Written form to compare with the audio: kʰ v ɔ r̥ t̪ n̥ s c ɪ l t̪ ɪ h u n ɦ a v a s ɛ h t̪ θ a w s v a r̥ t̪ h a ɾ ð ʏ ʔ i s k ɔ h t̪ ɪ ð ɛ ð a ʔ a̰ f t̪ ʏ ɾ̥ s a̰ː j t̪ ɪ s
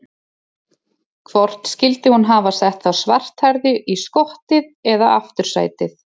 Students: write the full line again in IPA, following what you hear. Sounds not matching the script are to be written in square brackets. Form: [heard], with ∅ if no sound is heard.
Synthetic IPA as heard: kʰ v ɔ r̥ t̪ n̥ s c ɪ l t̪ ɪ h u n ɦ a v a s ɛ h t̪ θ a w s v a r̥ t̪ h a ɾ ð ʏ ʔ i s k ɔ h t̪ ɪ ð ɛ ð a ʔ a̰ f t̪ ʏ ɾ̥ s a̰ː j t̪ ɪ [θ]